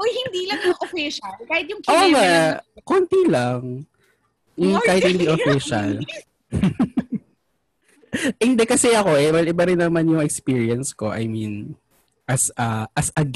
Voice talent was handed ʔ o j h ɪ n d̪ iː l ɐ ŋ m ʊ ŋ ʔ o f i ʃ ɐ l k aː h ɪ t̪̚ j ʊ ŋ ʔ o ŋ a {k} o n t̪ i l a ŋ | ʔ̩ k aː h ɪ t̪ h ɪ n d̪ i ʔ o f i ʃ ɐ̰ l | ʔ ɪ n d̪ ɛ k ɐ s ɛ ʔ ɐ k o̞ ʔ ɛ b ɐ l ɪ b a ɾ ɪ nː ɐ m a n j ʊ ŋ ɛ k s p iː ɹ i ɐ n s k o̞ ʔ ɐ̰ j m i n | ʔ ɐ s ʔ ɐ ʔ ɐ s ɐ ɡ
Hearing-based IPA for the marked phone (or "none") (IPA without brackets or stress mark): k